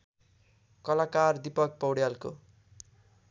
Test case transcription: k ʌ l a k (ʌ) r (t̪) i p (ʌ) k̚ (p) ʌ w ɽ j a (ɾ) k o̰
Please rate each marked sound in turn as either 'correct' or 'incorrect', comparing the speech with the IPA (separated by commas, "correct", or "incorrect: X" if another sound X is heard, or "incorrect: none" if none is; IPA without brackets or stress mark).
incorrect: a, incorrect: d̪, correct, correct, incorrect: l